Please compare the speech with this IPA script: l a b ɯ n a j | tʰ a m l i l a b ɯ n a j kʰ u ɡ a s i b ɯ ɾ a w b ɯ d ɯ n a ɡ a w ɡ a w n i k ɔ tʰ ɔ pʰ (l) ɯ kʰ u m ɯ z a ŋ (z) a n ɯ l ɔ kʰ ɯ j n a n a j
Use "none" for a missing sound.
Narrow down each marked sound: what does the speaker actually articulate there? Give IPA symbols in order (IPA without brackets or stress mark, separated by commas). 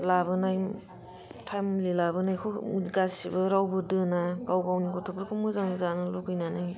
ɾ, z